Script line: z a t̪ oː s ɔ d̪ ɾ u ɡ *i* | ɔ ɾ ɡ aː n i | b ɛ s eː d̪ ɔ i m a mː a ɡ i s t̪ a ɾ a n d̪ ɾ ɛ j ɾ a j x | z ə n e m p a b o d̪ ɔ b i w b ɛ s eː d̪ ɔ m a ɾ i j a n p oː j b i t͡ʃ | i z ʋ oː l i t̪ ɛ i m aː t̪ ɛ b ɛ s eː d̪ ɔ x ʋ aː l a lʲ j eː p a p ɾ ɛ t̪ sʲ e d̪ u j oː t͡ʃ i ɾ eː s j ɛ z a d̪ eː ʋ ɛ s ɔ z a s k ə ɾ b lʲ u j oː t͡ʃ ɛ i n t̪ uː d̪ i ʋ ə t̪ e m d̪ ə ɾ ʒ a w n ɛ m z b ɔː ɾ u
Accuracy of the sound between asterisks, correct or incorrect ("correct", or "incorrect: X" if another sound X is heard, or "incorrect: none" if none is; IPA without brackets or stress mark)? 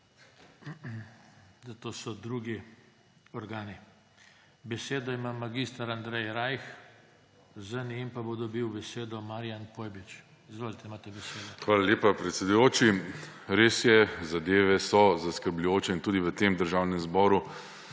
correct